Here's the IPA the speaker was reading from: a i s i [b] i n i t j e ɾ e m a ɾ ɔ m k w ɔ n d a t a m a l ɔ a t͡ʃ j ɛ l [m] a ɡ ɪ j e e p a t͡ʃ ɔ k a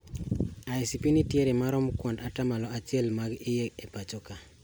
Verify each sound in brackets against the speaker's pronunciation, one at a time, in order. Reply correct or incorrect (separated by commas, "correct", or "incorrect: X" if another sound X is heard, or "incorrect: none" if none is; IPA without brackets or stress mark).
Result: incorrect: p, correct